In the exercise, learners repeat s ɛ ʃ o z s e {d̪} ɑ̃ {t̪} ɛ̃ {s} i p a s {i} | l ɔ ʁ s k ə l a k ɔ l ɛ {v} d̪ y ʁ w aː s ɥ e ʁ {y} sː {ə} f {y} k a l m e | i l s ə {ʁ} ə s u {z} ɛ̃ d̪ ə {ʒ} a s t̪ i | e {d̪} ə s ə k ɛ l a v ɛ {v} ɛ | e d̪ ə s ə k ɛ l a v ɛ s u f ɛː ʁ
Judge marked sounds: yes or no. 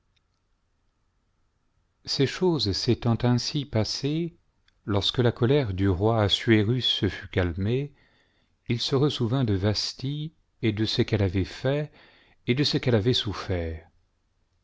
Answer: no, yes, yes, no, no, yes, yes, yes, yes, no, no, yes, no

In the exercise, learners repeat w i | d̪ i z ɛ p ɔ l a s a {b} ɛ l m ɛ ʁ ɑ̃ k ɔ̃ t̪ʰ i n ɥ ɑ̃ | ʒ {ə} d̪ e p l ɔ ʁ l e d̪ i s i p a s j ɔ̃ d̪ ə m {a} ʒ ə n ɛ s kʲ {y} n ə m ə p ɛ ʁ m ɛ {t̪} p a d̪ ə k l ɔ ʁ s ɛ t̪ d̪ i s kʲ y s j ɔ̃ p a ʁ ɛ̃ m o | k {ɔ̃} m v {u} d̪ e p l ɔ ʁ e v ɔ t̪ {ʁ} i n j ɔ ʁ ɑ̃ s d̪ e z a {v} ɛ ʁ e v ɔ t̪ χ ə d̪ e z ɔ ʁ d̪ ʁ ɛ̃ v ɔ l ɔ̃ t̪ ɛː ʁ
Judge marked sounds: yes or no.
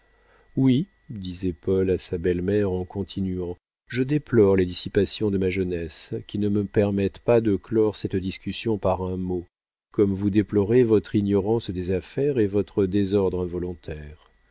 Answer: yes, yes, yes, no, yes, no, yes, no, no

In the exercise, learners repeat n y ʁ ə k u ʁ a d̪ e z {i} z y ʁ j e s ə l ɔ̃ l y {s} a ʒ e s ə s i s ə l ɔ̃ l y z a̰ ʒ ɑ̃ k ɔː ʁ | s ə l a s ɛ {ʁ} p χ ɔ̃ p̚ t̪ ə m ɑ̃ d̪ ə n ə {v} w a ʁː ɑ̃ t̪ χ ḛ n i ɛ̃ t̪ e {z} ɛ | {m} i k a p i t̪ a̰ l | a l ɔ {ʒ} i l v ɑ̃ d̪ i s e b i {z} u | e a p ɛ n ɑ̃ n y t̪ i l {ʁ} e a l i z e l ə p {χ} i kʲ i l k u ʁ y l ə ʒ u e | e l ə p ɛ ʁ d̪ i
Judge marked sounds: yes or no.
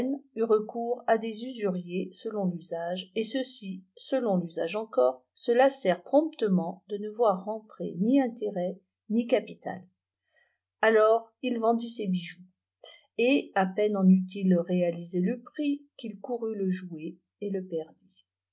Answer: no, no, yes, yes, no, no, no, no, yes, yes

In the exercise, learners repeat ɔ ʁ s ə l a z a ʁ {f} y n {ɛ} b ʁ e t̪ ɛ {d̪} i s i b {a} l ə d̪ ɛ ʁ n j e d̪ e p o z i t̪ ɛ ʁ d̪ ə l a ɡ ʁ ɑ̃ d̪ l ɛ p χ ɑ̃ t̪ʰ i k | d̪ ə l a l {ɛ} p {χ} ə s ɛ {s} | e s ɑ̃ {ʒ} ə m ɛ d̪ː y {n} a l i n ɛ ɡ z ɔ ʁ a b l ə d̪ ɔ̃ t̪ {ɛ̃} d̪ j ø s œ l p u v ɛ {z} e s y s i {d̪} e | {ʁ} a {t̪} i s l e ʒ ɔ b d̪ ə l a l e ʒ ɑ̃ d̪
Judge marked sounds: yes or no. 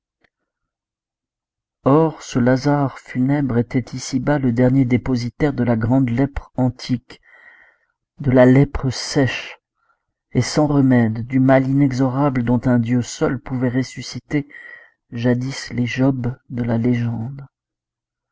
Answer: yes, yes, no, yes, yes, yes, no, no, no, yes, no, no, no, no

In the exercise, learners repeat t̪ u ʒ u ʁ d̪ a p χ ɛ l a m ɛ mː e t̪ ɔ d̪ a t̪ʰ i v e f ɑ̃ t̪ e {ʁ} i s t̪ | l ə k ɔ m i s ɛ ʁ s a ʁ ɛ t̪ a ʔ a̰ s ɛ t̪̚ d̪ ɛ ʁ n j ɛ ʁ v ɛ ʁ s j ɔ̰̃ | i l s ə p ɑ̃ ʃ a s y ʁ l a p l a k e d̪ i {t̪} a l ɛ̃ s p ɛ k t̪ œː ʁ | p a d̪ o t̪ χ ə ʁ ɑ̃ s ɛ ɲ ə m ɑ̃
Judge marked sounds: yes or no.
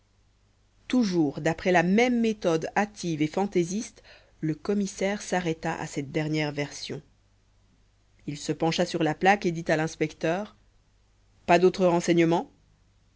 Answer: no, yes

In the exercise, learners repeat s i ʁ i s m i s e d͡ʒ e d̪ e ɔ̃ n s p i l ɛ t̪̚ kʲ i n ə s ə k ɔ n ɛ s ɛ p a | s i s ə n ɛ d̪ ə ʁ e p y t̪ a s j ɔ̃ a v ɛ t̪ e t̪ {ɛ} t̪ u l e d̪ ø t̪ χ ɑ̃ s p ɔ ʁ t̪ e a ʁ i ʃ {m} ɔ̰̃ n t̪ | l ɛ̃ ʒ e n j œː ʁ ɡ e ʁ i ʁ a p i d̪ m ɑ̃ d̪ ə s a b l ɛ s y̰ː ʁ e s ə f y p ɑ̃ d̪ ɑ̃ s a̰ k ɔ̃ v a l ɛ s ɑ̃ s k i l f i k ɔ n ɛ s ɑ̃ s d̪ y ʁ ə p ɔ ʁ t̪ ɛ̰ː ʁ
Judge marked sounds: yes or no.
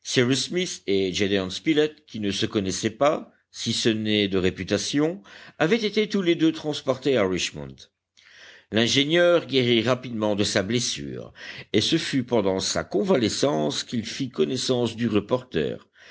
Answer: no, yes

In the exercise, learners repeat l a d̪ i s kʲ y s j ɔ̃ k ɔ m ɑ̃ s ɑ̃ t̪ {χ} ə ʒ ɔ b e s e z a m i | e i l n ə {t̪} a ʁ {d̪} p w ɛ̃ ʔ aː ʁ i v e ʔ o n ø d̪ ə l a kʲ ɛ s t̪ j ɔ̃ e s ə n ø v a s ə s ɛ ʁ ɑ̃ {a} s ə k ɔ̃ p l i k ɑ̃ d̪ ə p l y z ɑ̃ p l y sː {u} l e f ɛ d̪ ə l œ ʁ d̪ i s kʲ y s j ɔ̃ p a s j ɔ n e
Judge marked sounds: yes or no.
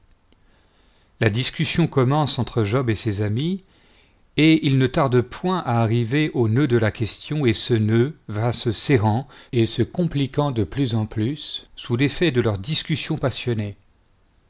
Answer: yes, yes, yes, no, yes

